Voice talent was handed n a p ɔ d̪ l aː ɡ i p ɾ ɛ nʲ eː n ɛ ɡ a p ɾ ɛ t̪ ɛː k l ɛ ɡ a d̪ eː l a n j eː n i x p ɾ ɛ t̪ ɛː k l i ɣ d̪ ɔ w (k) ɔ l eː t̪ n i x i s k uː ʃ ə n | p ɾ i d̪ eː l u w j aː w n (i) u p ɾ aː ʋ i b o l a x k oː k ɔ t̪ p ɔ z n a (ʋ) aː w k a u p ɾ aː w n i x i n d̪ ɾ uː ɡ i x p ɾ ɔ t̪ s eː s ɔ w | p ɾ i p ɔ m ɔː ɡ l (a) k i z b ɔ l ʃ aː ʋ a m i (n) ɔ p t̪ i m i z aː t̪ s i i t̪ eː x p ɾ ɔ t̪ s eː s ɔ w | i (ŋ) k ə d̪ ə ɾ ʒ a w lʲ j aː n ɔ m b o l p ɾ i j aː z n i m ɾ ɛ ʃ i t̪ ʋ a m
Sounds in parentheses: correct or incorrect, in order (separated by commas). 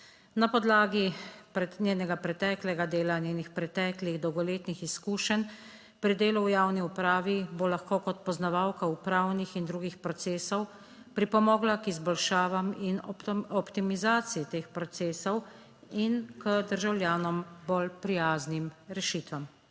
incorrect, correct, correct, correct, correct, incorrect